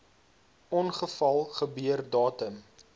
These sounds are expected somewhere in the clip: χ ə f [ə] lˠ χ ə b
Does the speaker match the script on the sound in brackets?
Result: no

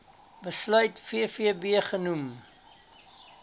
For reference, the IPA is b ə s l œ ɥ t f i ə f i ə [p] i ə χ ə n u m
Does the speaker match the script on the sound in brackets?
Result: no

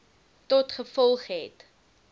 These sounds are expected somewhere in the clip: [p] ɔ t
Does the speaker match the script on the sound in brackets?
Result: no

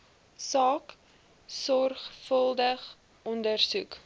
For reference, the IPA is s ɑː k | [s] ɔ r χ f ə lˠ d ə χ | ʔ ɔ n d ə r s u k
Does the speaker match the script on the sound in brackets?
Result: yes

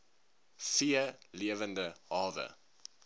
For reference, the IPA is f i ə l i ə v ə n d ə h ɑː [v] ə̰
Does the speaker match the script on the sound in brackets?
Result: yes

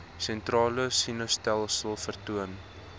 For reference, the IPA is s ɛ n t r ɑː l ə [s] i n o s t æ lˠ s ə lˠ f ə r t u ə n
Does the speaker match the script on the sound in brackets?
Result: yes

